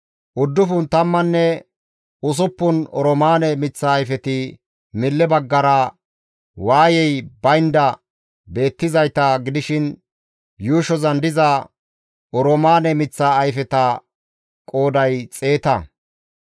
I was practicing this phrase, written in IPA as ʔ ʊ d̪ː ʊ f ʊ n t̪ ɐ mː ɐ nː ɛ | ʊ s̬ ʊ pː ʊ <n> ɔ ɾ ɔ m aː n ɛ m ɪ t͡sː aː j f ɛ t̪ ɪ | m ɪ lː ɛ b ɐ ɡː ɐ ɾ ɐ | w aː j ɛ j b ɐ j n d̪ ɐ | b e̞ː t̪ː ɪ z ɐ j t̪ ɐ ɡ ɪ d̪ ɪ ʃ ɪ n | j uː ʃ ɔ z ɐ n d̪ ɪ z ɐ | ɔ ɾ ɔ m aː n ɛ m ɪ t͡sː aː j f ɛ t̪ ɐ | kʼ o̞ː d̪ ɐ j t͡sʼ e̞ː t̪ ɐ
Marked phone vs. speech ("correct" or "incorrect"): correct